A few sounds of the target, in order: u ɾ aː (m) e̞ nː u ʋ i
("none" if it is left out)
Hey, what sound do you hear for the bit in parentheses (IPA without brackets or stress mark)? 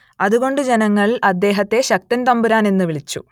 n